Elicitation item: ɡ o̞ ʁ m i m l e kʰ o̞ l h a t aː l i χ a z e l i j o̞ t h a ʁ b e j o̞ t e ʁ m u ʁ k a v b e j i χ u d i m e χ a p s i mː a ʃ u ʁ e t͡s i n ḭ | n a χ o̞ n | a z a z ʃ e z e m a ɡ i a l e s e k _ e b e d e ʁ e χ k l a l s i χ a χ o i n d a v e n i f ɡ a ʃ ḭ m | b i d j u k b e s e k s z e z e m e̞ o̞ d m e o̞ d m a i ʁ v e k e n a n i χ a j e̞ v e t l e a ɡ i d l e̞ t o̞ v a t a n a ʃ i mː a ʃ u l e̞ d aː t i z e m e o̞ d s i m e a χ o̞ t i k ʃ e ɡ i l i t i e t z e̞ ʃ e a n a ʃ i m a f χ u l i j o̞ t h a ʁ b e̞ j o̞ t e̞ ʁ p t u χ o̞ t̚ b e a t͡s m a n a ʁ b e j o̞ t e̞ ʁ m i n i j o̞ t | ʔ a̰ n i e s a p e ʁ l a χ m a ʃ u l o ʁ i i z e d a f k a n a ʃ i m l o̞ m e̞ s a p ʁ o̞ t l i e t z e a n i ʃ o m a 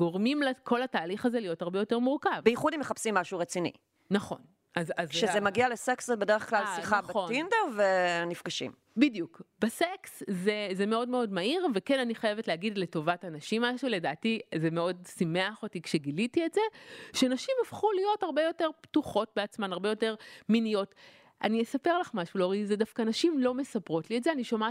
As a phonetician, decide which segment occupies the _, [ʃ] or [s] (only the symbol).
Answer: s